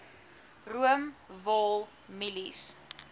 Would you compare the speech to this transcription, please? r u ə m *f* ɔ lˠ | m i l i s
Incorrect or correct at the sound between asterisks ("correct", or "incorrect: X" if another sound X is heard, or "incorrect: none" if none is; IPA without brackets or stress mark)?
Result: incorrect: v